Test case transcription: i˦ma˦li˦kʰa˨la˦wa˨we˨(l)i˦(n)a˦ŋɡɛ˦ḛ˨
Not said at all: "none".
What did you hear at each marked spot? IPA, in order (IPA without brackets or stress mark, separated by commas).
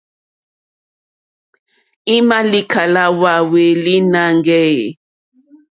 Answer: l, n